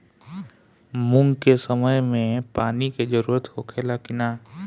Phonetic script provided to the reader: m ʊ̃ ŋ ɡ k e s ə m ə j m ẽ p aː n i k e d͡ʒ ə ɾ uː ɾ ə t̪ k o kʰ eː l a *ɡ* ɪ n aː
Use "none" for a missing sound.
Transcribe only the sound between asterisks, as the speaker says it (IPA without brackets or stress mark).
k